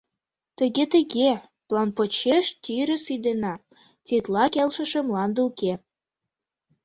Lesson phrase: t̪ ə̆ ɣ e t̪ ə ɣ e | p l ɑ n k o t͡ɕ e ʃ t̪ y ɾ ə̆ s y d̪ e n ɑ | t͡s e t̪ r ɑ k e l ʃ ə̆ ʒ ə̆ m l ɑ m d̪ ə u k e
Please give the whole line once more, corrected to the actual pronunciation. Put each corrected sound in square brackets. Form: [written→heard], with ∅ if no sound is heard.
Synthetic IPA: t̪ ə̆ ɣ e t̪ ə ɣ e | p l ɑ n [k→p] o t͡ɕ e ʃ t̪ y ɾ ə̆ s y d̪ e n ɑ | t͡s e t̪ [r→l] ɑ k e l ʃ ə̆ [ʒ→ʃ] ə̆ m l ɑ [m→n] d̪ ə u k e